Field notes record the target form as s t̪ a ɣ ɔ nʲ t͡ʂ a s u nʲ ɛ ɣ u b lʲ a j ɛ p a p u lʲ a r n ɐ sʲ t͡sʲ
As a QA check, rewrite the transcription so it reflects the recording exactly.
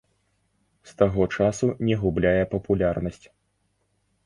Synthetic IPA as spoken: s t̪ a ɣ ɔ t͡ʂ a s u nʲ ɛ ɣ u b lʲ a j ɛ p ɐ p u lʲ a r n ɐ sʲ t͡sʲ